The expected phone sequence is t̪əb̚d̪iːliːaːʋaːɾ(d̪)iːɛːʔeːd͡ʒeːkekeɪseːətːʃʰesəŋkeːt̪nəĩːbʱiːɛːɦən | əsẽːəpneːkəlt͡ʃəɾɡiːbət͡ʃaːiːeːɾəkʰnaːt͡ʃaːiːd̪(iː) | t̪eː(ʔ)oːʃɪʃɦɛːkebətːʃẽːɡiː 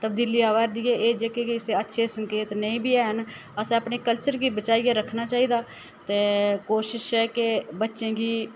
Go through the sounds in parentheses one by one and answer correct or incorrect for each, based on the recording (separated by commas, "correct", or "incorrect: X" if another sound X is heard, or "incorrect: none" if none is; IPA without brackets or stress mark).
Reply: correct, incorrect: aː, incorrect: k